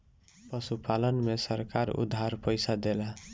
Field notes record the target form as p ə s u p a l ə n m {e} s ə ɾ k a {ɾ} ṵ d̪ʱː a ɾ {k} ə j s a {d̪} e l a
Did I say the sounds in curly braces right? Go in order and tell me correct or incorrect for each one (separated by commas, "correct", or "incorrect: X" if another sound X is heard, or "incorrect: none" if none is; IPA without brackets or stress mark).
correct, correct, incorrect: p, correct